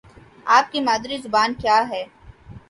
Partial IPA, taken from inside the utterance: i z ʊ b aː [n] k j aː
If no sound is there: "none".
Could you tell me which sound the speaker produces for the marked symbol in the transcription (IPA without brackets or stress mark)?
n